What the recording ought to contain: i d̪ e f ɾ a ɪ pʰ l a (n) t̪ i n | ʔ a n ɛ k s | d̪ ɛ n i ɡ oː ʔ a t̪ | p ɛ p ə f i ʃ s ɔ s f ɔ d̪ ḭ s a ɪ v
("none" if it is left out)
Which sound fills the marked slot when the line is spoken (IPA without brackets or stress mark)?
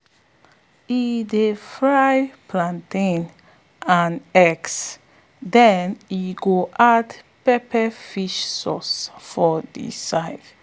n